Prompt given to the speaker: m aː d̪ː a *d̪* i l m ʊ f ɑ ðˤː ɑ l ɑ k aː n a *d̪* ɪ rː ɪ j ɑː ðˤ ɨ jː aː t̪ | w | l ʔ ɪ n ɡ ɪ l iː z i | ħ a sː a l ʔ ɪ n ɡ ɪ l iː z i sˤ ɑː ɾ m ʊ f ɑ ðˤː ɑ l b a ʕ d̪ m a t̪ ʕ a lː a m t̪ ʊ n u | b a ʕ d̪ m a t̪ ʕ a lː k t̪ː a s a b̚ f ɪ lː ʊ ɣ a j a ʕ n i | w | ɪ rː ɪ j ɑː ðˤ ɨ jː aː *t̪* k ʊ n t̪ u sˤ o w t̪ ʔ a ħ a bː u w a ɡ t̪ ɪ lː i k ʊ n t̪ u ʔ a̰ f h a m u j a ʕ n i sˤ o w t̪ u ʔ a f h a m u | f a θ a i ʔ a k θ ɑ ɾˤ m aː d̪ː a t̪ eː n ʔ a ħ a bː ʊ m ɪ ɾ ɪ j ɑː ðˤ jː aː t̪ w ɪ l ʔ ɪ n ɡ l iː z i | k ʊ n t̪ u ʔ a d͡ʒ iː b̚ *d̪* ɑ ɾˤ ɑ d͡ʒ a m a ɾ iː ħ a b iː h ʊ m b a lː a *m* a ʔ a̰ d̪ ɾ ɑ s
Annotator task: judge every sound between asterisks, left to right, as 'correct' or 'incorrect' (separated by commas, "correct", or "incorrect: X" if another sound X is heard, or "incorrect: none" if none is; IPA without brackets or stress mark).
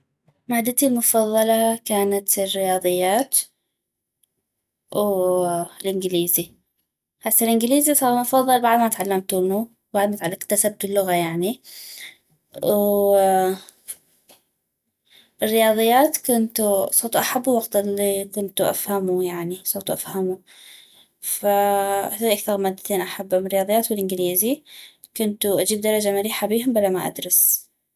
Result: incorrect: t̪, incorrect: t̪, correct, correct, correct